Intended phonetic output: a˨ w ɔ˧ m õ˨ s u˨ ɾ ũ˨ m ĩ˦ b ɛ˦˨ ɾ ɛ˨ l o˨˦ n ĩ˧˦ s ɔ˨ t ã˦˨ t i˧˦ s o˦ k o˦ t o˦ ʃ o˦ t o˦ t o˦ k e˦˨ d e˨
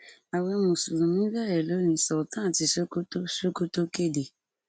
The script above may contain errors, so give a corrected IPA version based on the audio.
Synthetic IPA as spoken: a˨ w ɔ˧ m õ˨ s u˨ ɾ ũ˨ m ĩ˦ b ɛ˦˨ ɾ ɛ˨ l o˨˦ n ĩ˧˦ s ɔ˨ t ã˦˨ t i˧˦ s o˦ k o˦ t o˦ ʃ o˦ k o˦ t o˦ k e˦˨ d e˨